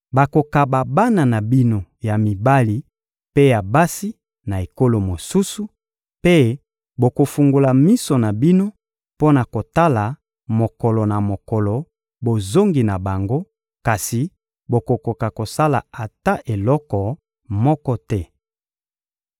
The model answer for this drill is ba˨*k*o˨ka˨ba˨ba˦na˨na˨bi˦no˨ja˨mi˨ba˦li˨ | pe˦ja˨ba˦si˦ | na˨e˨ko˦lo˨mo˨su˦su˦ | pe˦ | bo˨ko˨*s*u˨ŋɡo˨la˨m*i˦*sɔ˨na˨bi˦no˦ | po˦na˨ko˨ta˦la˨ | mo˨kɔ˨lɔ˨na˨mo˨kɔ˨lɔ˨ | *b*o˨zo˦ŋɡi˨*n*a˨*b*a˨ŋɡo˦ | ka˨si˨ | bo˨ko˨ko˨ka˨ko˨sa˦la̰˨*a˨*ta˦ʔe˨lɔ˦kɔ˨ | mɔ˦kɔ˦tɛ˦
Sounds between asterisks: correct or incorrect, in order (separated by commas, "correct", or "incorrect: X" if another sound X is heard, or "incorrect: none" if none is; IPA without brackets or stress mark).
correct, incorrect: f, correct, correct, correct, correct, correct